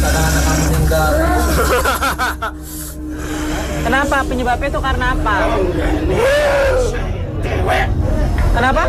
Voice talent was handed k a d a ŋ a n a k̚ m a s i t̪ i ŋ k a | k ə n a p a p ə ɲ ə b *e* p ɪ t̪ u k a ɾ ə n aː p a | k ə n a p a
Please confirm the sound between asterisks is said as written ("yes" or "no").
no